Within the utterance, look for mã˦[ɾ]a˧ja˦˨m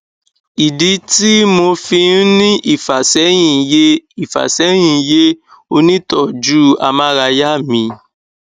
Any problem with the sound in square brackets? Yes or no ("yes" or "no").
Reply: no